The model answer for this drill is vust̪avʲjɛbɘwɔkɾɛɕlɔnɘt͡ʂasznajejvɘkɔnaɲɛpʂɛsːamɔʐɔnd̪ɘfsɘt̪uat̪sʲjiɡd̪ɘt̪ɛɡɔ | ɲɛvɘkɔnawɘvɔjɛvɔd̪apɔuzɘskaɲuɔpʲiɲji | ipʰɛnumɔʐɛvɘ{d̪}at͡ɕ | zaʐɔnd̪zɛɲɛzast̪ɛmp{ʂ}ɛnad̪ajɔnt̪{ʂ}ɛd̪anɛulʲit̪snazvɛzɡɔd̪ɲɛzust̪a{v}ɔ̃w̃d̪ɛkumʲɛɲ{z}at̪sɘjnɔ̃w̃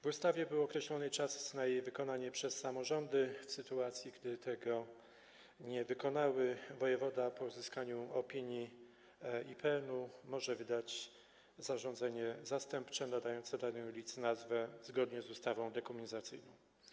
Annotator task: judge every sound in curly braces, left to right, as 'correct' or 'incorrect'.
correct, incorrect: t͡ʂ, incorrect: s, correct, correct

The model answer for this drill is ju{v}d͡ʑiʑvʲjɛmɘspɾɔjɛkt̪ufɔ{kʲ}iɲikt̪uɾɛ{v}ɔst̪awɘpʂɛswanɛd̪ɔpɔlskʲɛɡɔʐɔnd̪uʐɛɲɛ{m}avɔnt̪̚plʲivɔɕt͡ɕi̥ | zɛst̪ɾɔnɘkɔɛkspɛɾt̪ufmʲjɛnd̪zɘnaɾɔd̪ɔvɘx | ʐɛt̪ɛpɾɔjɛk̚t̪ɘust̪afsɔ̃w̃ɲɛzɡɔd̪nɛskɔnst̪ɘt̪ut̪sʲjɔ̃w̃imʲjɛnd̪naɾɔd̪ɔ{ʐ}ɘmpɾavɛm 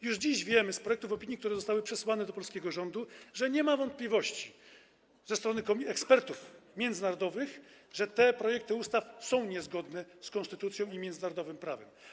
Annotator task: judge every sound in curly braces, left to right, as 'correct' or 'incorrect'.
incorrect: ʐ, incorrect: pʲ, incorrect: z, correct, incorrect: v

